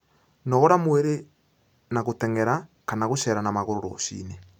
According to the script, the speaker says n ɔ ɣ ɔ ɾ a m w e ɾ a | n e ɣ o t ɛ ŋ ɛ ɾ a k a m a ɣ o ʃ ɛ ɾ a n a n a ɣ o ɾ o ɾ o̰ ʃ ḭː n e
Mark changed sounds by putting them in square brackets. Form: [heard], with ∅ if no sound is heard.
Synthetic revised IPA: n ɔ ɣ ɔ ɾ a m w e ɾ [e] | n [a] ɣ o t ɛ ŋ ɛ ɾ a k a [n] a ɣ o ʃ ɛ ɾ a n a [m] a ɣ o ɾ o ɾ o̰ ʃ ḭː n e